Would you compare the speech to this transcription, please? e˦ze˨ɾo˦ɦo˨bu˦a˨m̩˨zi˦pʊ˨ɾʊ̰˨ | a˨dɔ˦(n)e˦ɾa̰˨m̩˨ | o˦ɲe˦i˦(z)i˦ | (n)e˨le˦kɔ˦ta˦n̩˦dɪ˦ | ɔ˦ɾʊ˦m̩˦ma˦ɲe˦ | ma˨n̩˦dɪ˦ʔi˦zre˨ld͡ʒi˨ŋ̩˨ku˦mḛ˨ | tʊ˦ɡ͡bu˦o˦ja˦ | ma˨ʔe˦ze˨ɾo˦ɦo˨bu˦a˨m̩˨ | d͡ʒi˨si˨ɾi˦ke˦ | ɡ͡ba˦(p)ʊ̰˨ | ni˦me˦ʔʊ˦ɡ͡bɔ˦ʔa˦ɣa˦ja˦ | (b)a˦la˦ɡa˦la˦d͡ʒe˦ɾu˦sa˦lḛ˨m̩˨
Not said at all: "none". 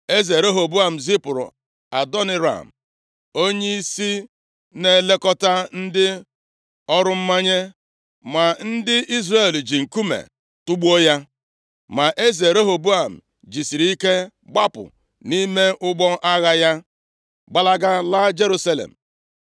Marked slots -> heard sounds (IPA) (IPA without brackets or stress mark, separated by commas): n, s, n, p, ɡ͡b